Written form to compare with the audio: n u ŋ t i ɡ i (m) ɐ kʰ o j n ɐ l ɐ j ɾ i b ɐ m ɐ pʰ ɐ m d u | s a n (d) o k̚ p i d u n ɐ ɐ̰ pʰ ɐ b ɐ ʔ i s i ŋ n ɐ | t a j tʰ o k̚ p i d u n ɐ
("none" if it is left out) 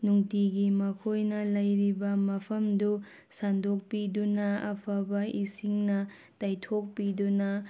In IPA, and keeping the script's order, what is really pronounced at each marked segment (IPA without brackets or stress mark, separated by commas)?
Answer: m, d